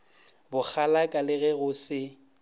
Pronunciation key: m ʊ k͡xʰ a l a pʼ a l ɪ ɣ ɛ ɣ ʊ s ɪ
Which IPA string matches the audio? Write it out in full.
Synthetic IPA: b ʊ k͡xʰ a l a kʼ a l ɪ ɣ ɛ ɣ ʊ s ɪ